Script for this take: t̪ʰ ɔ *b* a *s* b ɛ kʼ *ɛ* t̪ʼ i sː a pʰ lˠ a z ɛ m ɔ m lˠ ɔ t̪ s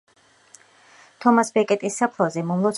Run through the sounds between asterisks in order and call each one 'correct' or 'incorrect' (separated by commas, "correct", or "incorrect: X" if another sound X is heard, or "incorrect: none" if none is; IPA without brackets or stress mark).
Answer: incorrect: m, correct, correct